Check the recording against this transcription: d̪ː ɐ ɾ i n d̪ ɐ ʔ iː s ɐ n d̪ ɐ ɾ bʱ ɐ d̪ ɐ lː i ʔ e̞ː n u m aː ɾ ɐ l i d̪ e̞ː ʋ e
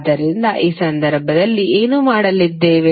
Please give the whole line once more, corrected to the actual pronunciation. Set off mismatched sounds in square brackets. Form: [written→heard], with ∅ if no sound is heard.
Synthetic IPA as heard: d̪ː ɐ ɾ i n d̪ ɐ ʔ iː s ɐ n d̪ ɐ ɾ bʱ ɐ d̪ ɐ lː i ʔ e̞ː n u m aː [ɾ→ɽ] ɐ l i [d̪→d̪ː] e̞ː ʋ e